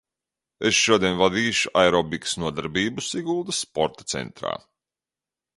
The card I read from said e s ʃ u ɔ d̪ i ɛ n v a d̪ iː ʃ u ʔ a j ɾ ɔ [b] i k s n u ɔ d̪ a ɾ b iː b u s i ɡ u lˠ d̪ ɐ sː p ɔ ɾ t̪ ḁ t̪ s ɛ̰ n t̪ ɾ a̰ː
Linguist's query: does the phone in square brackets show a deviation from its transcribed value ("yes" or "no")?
no